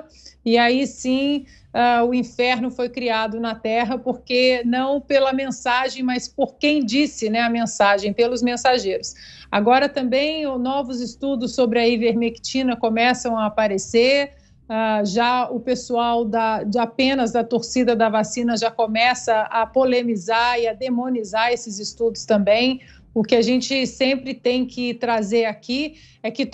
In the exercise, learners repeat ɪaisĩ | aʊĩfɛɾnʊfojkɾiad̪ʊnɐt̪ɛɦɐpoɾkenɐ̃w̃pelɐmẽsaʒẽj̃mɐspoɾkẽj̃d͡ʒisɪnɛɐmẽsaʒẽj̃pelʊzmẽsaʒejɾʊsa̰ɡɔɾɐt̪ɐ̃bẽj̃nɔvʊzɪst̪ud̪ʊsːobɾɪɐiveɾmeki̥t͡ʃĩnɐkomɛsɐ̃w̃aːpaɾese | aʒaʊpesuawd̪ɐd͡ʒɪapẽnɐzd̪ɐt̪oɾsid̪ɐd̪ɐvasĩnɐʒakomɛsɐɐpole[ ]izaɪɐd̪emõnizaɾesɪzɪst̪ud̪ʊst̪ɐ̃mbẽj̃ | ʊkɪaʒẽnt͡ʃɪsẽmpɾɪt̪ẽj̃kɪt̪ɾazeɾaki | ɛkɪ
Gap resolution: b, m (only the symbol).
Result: m